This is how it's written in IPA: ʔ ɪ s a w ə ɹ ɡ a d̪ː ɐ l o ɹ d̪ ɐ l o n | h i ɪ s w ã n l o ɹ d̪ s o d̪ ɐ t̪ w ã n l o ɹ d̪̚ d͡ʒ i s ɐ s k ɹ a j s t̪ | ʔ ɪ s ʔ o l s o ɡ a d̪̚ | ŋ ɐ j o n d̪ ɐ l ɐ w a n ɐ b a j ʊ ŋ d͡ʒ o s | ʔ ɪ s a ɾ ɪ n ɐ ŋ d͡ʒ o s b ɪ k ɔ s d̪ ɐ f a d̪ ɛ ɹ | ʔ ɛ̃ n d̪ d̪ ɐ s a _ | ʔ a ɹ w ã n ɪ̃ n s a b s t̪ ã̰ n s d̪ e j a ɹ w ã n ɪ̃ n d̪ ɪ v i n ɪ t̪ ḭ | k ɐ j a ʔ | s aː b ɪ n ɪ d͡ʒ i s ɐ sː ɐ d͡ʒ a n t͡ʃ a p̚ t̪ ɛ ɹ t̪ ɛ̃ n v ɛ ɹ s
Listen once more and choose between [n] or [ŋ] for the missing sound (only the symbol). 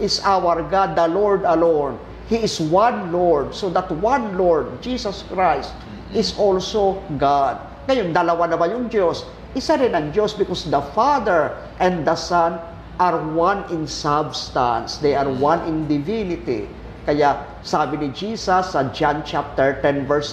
n